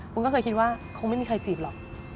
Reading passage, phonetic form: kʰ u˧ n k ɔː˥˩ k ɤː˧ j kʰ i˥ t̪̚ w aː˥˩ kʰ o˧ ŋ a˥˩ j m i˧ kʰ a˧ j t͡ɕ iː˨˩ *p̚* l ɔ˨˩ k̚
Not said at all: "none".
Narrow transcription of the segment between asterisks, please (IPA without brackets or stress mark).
p̚